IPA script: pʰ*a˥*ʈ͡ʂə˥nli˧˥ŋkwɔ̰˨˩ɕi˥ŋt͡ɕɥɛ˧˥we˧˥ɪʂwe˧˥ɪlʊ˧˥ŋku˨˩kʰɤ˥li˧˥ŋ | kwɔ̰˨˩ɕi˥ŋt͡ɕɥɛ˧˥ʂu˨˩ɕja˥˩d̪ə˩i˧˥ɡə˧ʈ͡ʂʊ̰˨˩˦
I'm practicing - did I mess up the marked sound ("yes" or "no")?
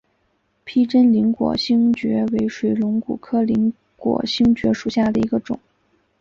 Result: yes